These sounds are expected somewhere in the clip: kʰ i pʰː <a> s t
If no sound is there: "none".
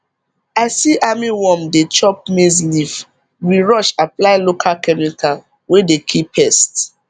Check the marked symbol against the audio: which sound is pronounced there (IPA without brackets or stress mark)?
ɛ